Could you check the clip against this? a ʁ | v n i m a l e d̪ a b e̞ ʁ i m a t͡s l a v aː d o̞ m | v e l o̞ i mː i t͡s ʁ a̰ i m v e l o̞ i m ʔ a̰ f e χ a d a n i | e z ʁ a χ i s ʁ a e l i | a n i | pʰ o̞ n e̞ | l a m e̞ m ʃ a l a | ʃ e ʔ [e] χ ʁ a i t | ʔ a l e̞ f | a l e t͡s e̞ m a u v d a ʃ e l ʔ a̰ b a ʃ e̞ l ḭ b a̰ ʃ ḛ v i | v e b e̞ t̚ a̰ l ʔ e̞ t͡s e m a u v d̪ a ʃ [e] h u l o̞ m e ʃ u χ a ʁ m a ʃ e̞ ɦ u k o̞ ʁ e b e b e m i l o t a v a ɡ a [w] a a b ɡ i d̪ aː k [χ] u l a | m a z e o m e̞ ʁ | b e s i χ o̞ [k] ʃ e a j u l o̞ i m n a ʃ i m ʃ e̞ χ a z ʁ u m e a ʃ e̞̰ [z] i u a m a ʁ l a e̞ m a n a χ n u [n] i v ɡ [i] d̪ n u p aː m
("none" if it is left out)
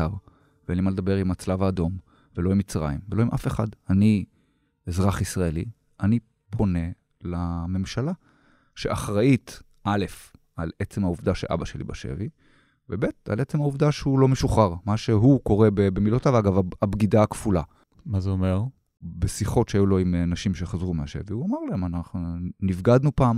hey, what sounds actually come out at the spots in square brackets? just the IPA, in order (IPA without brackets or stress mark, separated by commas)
a, e, v, f, t, v, n, a